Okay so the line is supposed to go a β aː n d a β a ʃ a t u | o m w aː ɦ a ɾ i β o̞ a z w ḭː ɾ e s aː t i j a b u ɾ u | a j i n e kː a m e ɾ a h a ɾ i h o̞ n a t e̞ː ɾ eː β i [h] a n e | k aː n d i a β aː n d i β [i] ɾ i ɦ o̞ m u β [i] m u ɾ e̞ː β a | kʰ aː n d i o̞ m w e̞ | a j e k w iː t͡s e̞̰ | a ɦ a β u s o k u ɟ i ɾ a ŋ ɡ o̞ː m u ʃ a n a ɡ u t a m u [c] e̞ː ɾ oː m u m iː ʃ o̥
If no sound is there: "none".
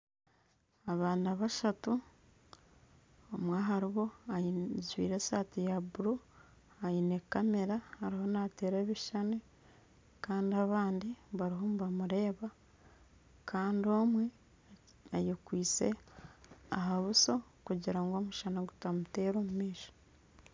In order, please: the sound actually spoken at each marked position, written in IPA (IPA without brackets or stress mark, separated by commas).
ʃ, a, a, t